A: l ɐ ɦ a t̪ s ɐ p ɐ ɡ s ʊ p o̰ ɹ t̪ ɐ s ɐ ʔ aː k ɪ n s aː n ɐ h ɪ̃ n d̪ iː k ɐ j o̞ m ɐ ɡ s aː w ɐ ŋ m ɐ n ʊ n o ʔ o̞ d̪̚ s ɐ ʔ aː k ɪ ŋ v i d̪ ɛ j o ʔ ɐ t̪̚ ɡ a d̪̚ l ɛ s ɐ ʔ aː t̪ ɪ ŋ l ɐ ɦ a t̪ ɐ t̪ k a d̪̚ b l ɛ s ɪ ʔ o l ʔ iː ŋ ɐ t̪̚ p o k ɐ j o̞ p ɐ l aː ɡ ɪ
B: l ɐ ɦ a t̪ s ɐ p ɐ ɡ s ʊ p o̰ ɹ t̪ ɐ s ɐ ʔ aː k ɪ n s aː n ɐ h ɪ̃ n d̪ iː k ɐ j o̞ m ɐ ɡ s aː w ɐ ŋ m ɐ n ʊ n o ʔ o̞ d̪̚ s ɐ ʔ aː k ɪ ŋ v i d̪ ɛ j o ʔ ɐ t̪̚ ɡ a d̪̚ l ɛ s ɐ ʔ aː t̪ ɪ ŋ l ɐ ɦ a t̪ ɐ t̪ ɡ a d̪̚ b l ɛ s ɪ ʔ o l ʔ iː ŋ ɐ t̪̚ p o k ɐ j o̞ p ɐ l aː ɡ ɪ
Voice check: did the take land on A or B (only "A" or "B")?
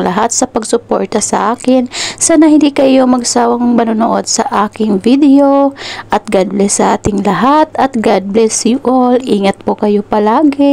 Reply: B